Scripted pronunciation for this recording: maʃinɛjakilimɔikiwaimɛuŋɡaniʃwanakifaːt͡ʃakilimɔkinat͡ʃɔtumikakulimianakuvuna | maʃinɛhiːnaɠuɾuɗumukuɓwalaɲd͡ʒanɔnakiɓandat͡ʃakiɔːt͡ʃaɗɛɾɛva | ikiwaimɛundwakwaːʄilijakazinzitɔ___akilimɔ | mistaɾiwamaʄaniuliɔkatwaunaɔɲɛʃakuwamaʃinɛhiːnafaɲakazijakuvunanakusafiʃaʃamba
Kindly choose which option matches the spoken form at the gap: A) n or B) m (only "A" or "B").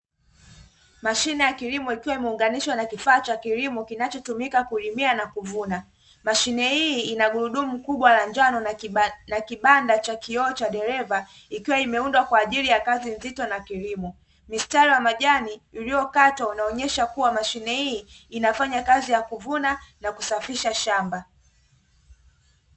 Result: A